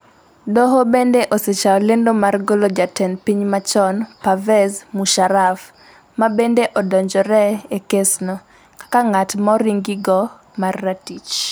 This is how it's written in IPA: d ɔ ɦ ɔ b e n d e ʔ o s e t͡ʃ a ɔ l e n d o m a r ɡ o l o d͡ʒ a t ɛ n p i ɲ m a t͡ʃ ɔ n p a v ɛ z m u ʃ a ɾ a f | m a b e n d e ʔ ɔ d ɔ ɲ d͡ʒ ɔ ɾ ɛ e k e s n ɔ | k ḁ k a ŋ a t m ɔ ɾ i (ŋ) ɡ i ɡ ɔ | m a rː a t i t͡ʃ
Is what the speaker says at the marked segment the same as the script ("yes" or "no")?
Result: yes